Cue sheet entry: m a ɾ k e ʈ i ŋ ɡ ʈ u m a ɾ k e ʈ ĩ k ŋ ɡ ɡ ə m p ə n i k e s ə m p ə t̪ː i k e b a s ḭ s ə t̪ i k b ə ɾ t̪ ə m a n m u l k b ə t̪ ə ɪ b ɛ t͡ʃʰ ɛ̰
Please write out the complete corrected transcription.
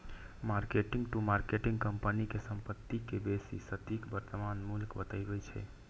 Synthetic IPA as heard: m a ɾ k e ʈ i ŋ ɡ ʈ u m a ɾ k e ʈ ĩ ŋ ɡ k ə m p ə n i k e s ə m p ə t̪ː i k e b e s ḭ s ə t̪ i k b ə ɾ t̪ ə m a n m u l k b ə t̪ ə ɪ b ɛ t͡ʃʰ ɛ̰